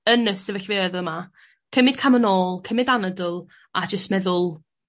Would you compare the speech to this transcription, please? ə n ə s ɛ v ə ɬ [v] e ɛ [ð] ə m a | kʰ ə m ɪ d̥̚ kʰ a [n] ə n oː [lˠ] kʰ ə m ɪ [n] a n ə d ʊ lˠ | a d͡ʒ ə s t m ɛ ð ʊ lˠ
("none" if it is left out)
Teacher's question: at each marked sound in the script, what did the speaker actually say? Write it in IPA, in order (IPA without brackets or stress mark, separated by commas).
v, ð, m, lˠ, d